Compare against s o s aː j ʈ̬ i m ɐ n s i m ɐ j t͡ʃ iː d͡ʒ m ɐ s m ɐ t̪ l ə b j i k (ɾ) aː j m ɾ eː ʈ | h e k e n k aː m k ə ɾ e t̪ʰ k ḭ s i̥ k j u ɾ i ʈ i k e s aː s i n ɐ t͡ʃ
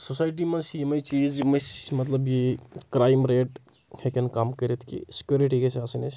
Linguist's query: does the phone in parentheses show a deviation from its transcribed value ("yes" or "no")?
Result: no